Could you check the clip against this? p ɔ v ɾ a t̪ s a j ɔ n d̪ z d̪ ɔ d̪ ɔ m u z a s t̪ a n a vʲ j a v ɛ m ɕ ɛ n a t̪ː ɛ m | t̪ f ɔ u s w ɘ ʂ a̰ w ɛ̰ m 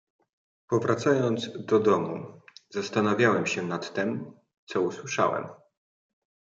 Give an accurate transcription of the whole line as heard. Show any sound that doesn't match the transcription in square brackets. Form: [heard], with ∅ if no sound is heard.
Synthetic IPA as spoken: p ɔ v ɾ a t̪ s a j ɔ n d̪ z d̪ ɔ d̪ ɔ m u z a s t̪ a n a vʲ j a [w] ɛ m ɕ ɛ n a t̪ː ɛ m | t̪ [s] ɔ u s w ɘ ʂ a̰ w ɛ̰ m

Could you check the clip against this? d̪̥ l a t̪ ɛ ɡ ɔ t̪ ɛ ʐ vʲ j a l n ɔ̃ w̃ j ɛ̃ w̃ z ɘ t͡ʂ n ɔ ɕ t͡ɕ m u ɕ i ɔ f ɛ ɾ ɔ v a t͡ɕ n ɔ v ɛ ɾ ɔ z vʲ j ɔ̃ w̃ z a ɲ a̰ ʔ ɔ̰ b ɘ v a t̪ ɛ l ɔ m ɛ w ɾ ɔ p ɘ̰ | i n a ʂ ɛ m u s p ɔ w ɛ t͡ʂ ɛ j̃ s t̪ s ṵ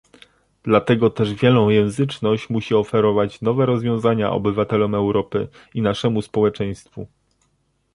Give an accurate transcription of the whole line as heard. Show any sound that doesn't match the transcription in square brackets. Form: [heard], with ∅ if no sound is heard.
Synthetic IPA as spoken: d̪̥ l a t̪ ɛ ɡ ɔ t̪ ɛ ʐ vʲ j [ɛ] l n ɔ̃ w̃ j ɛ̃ w̃ z ɘ t͡ʂ n ɔ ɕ t͡ɕ m u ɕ i ɔ f ɛ ɾ ɔ v a t͡ɕ n ɔ v ɛ ɾ ɔ z vʲ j ɔ̃ w̃ z a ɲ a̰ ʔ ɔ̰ b ɘ v a t̪ ɛ l ɔ m ɛ w ɾ ɔ p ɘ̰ | i n a ʂ ɛ m u s p ɔ w ɛ t͡ʂ ɛ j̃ s t̪ [f] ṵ

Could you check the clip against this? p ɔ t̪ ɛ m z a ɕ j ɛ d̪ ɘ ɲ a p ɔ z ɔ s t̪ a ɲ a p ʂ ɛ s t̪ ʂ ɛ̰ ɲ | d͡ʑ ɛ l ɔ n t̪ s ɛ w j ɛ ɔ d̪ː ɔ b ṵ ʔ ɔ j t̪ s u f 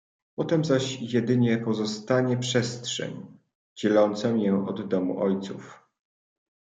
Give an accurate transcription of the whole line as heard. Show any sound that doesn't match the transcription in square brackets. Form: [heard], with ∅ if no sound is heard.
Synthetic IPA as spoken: p ɔ t̪ ɛ m z a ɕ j ɛ d̪ ɘ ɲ [ɛ] p ɔ z ɔ s t̪ a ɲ [ɛ] p ʂ ɛ s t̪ ʂ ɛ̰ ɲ | d͡ʑ ɛ l ɔ n t̪ s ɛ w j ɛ ɔ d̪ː ɔ [m] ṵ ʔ ɔ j t̪ s u f

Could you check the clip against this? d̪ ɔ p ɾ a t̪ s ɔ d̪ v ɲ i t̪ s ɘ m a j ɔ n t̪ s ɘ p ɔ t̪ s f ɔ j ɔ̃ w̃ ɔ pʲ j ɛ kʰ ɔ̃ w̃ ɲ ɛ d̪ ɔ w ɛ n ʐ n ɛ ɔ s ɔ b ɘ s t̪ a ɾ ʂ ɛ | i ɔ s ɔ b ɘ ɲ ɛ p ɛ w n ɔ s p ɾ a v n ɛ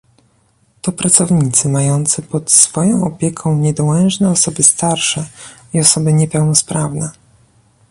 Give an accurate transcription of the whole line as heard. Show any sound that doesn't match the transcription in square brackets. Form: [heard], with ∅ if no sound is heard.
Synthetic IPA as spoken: [t̪] ɔ p ɾ a t̪ s ɔ [∅] v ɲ i t̪ s ɘ m a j ɔ n t̪ s ɘ p ɔ t̪ s f ɔ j ɔ̃ w̃ ɔ pʲ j ɛ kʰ ɔ̃ w̃ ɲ ɛ d̪ ɔ w ɛ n ʐ n ɛ ɔ s ɔ b ɘ s t̪ a ɾ ʂ ɛ | i ɔ s ɔ b ɘ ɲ ɛ p ɛ w n ɔ s p ɾ a v n ɛ

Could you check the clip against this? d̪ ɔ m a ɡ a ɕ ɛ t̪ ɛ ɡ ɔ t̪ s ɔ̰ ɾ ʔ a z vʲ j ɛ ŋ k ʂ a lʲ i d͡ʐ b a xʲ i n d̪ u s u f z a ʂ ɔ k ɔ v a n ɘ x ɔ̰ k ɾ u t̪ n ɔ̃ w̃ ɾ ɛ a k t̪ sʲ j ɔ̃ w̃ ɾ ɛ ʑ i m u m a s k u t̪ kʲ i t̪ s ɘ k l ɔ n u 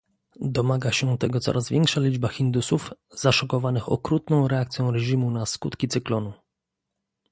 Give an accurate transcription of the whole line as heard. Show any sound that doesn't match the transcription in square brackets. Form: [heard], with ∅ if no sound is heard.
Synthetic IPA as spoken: d̪ ɔ m a ɡ a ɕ ɛ t̪ ɛ ɡ ɔ t̪ s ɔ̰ ɾ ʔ a z vʲ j ɛ ŋ k ʂ a lʲ i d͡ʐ b a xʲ i n d̪ u s u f z a ʂ ɔ k ɔ v a n ɘ x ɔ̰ k ɾ u t̪ n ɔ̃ w̃ ɾ ɛ a k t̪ sʲ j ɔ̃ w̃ ɾ ɛ ʑ i m u [n] a s k u t̪ kʲ i t̪ s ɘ k l ɔ n u

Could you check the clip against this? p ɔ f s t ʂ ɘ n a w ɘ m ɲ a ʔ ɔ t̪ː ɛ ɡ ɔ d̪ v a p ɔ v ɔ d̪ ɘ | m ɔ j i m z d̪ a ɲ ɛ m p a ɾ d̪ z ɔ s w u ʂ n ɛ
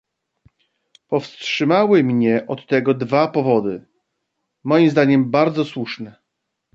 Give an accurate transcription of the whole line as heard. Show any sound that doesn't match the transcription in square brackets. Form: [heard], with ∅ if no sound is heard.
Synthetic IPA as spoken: p ɔ f s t ʂ ɘ [m] a w ɘ m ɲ [ɛ] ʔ ɔ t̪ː ɛ ɡ ɔ d̪ v a p ɔ v ɔ d̪ ɘ | m ɔ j i m z d̪ a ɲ ɛ m [b] a ɾ d̪ z ɔ s w u ʂ n ɛ

